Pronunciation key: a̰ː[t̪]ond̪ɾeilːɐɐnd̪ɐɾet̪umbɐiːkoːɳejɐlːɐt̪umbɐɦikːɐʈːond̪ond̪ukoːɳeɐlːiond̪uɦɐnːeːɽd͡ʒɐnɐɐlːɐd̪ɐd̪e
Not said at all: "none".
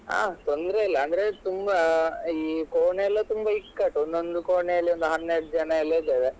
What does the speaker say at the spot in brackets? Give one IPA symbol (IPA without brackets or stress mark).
t̪